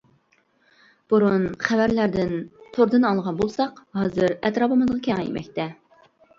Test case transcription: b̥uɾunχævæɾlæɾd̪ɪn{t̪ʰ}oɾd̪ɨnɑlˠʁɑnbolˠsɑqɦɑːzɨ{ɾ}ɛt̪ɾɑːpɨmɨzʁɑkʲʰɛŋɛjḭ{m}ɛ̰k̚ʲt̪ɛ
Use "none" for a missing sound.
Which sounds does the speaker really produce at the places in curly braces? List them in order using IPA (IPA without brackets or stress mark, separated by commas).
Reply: t̪ʰ, ɾ, m